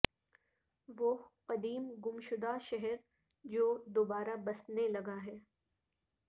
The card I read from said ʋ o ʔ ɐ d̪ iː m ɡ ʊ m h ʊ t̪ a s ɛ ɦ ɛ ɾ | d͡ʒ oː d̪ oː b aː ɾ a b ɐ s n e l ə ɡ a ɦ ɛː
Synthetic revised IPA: ʋ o q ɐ d̪ iː m ɡ ʊ m ʃ ʊ d̪ a ʃ ɛ ɦ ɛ ɾ | d͡ʒ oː d̪ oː b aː ɾ a b ɐ s n e l ɐ ɡ a ɦ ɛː